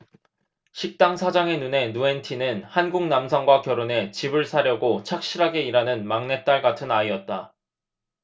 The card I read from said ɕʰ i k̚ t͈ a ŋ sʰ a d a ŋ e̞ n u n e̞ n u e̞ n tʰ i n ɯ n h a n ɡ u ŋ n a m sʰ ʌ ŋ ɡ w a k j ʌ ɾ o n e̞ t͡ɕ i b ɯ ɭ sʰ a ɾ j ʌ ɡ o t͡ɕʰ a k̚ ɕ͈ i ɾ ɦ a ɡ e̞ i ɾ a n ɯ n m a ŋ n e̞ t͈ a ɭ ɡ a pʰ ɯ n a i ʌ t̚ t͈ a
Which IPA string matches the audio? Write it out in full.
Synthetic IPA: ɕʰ i k̚ t͈ a ŋ sʰ a d͡ʑ a ŋ e̞ n u n e̞ n u e̞ n tʰ i n ɯ n h a n ɡ u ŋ n a m sʰ ʌ ŋ ɡ w a k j ʌ ɾ o n e̞ t͡ɕ i b ɯ ɭ sʰ a ɾ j ʌ ɡ o t͡ɕʰ a k̚ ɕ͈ i ɾ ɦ a ɡ e̞ i ɾ a n ɯ n m a ŋ n e̞ t͈ a ɭ ɡ a tʰ ɯ n a i ʌ t̚ t͈ a